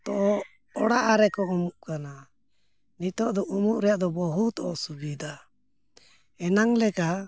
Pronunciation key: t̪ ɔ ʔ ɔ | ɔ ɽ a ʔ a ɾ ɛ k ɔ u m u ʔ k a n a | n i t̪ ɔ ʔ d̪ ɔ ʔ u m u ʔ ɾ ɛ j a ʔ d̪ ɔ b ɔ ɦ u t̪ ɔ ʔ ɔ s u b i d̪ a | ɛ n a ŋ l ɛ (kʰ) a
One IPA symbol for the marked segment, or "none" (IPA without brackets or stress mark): k